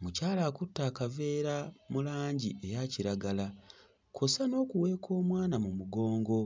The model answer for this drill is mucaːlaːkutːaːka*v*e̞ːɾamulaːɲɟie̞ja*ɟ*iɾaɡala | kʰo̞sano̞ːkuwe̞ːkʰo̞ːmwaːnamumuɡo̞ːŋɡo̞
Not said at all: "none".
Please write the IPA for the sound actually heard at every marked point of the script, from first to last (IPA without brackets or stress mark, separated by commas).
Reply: v, c